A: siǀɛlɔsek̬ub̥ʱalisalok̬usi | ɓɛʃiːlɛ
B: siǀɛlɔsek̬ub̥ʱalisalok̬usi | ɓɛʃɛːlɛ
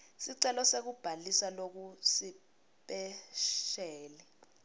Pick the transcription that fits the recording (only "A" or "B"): B